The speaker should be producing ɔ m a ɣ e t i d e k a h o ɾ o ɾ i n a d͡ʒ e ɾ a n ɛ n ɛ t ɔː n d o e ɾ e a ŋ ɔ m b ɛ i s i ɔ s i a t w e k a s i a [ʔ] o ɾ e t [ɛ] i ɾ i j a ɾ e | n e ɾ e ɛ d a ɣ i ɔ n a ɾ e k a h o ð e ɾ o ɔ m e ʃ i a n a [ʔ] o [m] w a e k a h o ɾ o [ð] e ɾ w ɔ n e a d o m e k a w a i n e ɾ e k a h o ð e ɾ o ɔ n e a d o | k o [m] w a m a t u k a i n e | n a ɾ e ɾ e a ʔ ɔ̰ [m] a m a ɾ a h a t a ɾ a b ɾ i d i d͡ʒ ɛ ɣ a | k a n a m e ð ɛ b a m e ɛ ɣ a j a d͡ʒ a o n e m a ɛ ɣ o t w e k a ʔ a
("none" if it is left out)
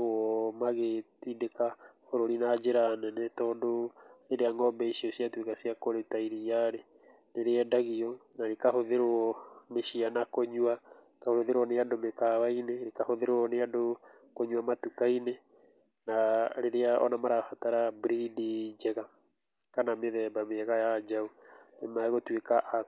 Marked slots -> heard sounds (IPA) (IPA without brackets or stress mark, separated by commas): k, a, k, ɲ, ð, ɲ, n